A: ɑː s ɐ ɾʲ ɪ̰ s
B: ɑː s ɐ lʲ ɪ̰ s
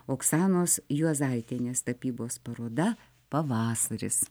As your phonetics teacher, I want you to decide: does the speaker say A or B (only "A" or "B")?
A